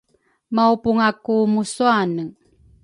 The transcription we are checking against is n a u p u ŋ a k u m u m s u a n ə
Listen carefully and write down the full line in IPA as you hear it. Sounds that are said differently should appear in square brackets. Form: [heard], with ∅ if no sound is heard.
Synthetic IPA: [m] a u p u ŋ a k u m u [∅] s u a n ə